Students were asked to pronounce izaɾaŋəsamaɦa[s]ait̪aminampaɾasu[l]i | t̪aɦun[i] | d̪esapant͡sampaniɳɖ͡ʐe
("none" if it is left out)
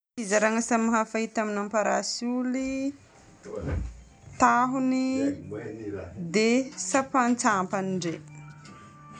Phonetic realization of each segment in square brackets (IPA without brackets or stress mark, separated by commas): f, l, i